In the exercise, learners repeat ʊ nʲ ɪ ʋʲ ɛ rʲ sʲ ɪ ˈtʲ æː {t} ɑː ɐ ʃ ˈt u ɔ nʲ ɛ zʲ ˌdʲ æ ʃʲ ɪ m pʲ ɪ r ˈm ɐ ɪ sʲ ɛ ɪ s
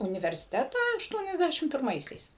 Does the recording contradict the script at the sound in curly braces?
no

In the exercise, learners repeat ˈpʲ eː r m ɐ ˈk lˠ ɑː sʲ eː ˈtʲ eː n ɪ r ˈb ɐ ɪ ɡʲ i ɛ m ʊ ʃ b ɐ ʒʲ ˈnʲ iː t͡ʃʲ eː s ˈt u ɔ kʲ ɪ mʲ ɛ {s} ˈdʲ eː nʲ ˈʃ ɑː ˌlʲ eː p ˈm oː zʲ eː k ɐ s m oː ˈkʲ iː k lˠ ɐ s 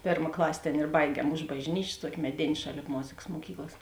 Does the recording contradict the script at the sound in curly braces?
yes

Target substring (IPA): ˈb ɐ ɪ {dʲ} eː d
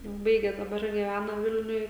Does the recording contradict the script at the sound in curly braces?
yes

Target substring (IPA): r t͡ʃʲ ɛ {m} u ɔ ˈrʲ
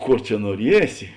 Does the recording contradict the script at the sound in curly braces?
yes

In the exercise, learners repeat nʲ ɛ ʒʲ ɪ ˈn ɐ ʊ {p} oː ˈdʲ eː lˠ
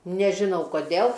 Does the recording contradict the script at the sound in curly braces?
yes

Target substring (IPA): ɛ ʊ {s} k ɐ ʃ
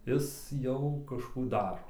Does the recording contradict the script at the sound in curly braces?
yes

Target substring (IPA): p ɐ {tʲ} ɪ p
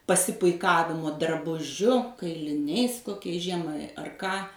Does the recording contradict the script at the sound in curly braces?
yes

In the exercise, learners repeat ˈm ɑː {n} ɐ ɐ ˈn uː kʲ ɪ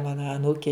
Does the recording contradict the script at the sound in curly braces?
no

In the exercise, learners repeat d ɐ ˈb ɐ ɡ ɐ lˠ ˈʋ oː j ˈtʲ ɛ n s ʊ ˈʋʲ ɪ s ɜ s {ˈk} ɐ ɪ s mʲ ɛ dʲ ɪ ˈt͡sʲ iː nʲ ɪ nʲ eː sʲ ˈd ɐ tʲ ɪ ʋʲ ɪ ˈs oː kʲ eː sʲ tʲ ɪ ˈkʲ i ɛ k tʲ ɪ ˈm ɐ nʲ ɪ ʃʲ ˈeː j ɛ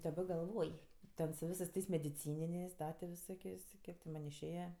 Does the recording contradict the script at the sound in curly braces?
yes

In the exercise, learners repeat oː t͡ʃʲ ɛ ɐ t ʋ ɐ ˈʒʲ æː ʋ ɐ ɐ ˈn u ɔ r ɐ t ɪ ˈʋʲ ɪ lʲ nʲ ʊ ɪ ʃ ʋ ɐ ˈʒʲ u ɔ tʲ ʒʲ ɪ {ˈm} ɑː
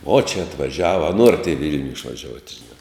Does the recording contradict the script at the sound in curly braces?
yes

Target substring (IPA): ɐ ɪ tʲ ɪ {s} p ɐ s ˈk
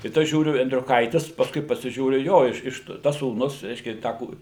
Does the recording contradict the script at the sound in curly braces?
no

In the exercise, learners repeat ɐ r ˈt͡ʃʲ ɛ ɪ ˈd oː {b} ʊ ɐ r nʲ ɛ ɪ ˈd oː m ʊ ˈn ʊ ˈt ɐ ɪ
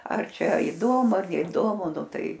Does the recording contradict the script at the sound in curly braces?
yes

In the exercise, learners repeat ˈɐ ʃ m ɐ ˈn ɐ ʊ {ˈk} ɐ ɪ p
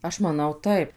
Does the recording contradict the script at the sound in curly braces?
yes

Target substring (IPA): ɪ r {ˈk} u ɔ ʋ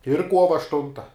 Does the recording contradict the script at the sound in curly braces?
no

